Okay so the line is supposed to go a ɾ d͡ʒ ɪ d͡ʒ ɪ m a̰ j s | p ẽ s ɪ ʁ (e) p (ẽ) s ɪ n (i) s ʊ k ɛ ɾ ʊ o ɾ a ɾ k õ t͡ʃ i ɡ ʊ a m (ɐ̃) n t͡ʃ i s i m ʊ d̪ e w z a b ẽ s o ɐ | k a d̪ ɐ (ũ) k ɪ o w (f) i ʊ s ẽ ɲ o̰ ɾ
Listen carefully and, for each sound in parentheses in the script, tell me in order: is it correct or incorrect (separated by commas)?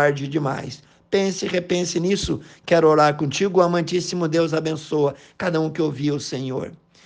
correct, correct, correct, correct, correct, incorrect